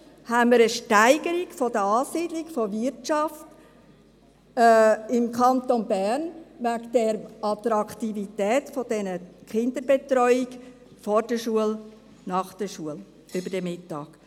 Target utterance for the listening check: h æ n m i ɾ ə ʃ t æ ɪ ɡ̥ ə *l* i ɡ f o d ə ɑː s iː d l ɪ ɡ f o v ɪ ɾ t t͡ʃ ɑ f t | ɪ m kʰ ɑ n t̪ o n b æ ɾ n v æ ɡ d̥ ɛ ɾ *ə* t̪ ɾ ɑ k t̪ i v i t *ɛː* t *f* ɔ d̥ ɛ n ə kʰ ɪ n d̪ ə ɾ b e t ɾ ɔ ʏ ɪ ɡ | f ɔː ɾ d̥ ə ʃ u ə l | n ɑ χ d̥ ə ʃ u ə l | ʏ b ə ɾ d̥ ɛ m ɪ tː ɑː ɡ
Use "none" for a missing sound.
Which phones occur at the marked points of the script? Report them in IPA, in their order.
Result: ɾ, ɑ, ɛː, f

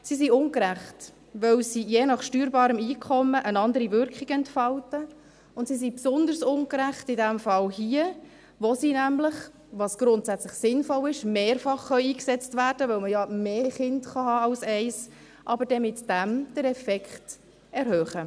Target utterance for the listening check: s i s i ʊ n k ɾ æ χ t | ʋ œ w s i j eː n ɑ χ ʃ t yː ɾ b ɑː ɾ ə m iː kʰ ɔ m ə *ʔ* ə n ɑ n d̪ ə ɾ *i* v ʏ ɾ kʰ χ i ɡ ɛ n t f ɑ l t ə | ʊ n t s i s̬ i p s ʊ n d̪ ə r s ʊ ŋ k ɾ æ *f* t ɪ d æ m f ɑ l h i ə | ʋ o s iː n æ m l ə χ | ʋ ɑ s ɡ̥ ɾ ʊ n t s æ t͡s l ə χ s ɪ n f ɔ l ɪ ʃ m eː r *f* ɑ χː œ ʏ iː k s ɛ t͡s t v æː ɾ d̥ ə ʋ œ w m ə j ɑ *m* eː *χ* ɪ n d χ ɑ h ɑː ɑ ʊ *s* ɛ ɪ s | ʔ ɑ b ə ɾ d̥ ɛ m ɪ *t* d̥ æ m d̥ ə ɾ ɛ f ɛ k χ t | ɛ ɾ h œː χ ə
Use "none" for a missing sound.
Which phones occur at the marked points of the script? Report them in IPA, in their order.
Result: ʔ, i, χ, f, m, χ, s, t

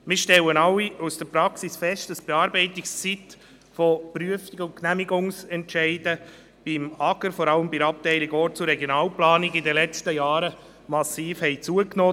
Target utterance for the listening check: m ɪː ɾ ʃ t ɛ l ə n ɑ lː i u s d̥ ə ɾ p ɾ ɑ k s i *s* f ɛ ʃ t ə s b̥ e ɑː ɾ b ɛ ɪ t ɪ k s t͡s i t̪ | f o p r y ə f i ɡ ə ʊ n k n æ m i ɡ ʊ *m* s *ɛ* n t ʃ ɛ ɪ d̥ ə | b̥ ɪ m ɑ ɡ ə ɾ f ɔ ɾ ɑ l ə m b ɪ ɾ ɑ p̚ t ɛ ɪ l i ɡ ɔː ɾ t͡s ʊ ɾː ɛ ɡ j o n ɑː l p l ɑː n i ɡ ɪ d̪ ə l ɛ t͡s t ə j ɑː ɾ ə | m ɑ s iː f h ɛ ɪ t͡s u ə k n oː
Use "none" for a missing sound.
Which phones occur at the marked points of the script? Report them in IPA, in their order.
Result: s, ŋ, ɛ

